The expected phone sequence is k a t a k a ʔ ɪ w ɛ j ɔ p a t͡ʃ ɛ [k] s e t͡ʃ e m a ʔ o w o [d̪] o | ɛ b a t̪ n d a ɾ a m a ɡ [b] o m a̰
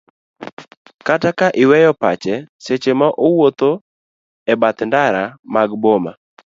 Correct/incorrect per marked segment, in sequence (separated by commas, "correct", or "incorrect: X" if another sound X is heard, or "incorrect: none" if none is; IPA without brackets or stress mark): incorrect: none, incorrect: t̪, correct